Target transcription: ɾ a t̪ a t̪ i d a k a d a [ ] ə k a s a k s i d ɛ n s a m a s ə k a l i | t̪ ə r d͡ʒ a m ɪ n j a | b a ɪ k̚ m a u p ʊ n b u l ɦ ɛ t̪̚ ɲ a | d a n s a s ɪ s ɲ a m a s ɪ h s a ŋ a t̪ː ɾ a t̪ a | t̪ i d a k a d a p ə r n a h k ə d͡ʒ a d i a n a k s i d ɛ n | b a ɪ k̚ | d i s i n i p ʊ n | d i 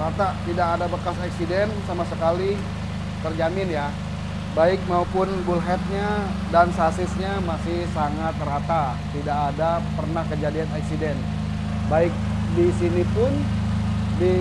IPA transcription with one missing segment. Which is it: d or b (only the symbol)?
b